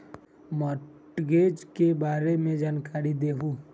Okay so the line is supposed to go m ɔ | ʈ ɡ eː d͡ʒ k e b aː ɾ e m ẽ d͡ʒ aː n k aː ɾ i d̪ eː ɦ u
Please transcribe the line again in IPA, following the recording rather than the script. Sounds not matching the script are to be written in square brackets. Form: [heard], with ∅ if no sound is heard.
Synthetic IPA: m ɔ | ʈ ɡ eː d͡ʒ k e b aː ɾ e m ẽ d͡ʒ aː n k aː ɾ i d̪ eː ɦ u